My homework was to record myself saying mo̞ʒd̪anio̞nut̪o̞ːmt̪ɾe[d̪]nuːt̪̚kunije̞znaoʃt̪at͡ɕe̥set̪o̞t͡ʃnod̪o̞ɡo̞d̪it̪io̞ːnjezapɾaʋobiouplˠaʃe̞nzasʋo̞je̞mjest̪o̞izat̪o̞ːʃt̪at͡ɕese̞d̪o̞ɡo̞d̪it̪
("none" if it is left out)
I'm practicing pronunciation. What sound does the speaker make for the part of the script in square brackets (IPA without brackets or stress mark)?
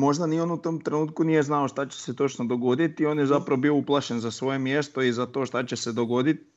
none